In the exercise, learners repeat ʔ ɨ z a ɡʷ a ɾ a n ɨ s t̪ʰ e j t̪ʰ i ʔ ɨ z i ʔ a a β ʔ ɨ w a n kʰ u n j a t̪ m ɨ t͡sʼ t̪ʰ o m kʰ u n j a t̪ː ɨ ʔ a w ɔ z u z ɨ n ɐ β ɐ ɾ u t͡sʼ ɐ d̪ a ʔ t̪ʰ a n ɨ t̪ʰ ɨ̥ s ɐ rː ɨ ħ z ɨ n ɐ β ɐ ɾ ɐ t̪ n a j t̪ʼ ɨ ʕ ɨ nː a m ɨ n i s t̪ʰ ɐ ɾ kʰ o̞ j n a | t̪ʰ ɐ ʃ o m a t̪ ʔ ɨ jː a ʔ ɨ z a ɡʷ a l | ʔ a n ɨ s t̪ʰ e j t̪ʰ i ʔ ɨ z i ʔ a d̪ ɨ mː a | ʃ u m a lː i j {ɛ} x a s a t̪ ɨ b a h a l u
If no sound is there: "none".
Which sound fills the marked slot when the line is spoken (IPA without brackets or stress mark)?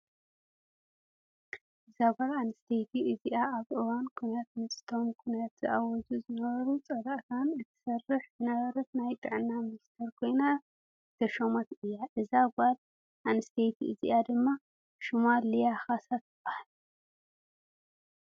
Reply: a